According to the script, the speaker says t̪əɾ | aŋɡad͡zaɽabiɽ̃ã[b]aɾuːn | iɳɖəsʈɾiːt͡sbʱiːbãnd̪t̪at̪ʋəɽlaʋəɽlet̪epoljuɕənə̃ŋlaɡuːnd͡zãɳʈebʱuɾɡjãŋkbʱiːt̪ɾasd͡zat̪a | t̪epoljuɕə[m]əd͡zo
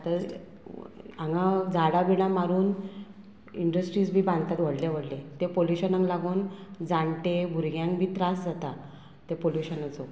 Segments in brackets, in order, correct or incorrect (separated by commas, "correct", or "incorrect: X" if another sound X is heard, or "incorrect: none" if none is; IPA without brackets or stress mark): incorrect: m, incorrect: n